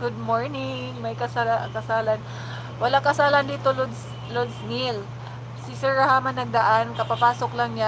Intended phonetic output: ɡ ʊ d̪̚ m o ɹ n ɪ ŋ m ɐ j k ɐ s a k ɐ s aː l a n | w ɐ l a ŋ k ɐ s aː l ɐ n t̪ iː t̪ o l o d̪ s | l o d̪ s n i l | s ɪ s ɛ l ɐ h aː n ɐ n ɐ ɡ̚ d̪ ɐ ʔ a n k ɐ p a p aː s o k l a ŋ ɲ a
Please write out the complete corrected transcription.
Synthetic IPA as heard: ɡ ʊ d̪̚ m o ɹ n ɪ ŋ m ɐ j k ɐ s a k ɐ s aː l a n | w ɐ l a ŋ k ɐ s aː l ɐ n d̪ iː t̪ o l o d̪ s | l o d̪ s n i l | s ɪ s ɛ ɹ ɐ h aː m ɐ n ɐ ɡ̚ d̪ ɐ ʔ a n k ɐ p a p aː s o k l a ŋ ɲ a